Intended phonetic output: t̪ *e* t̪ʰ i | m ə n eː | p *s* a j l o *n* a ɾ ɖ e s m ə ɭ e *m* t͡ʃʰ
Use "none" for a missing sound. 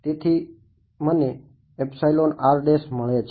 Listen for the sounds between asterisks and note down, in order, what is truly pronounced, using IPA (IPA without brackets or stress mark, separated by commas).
e, s, n, none